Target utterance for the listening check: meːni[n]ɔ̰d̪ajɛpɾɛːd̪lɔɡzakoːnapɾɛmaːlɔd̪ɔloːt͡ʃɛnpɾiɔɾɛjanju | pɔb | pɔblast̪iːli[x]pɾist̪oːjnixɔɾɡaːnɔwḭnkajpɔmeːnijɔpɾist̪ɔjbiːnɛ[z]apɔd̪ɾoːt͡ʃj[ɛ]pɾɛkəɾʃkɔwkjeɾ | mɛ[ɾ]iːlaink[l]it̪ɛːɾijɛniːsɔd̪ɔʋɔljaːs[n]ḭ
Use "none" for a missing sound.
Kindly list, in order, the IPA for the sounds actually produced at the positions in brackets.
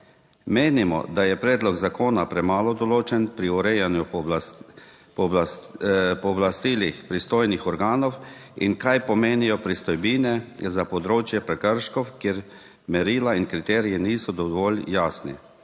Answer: m, x, z, ɛ, ɾ, ɾ, n

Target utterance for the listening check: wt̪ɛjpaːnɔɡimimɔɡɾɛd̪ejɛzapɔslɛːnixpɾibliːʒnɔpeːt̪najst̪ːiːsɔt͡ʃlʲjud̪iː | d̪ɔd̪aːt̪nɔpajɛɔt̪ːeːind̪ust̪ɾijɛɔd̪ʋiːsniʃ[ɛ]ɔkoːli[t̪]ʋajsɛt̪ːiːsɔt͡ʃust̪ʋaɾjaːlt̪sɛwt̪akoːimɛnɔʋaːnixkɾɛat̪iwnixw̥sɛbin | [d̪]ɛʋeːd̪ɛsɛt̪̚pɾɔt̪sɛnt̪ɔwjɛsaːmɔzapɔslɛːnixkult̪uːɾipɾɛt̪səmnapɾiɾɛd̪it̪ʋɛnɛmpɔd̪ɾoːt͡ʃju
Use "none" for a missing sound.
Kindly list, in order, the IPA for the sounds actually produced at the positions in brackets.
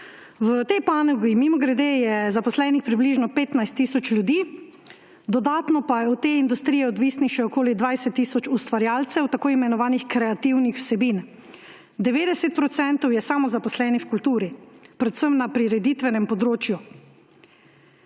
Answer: ɛ, d̪, d̪

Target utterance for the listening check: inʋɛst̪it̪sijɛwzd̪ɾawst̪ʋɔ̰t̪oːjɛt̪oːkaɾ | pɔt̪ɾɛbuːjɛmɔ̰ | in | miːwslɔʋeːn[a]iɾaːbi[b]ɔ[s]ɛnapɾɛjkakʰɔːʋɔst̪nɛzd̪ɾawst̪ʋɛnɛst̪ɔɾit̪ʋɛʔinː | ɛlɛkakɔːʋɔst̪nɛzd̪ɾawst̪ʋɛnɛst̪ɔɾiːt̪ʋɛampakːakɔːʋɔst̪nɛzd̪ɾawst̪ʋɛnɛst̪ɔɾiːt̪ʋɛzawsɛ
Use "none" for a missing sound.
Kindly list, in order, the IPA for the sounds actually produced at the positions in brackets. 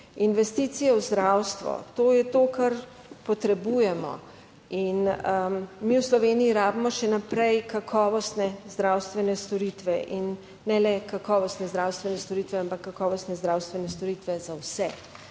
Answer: i, m, ʃ

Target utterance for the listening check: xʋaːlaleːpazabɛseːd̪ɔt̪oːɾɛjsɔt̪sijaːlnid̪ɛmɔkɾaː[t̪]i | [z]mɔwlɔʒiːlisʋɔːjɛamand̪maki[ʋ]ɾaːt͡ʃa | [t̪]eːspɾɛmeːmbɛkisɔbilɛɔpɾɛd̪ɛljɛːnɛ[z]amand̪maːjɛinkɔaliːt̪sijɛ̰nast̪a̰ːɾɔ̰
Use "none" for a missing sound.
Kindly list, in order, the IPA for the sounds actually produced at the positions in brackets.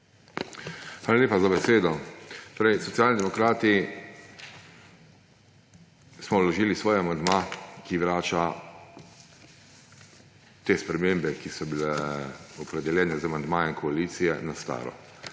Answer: t̪, s, ʋ, t̪, z

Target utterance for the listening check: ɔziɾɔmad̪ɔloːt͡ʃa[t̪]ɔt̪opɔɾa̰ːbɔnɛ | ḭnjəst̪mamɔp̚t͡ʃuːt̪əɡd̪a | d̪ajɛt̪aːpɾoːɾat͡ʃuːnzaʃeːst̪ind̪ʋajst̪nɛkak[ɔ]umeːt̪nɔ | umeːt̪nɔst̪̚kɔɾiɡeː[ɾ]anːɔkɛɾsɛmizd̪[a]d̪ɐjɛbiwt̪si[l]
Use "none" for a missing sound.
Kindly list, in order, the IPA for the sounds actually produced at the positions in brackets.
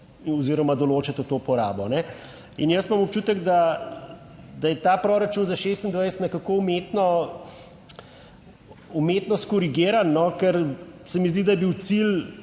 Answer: t̪, o, ɾ, i, l

